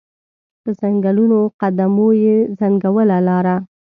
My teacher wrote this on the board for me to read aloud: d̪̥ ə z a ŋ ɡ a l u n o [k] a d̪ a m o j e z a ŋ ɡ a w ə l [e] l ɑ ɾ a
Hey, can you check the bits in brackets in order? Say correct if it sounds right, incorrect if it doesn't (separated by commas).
incorrect, incorrect